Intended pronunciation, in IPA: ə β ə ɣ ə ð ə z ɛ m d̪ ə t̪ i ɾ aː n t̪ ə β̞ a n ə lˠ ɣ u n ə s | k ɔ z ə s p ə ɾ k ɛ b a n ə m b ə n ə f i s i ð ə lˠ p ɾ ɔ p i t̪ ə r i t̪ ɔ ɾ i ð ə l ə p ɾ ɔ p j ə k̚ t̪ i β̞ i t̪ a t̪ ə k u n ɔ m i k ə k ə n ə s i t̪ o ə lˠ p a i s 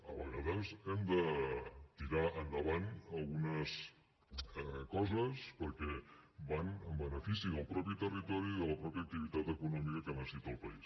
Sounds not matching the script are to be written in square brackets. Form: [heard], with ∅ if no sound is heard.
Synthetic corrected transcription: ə β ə ɣ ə ð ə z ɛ m d̪ ə t̪ i ɾ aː n [d̪] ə β̞ a n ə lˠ ɣ u n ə s | k ɔ z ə s p ə ɾ k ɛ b a n ə m b ə n ə f i s i ð ə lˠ p ɾ ɔ p i t̪ ə r i t̪ ɔ ɾ i ð ə l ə p ɾ ɔ p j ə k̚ t̪ i β̞ i t̪ a t̪ ə k u n ɔ m i k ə k ə n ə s i t̪ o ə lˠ p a i s